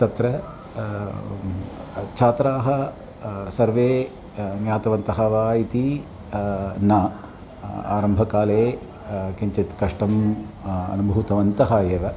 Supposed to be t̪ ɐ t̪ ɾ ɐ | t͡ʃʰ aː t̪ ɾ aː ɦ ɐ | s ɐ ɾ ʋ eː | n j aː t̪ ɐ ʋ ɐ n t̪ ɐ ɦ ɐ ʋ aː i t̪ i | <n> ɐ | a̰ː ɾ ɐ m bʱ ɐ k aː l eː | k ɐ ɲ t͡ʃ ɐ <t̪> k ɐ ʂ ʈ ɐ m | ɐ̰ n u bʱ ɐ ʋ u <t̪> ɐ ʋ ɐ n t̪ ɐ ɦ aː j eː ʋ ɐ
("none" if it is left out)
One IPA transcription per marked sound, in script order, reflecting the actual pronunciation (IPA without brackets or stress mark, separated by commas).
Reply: n, t̪, t̪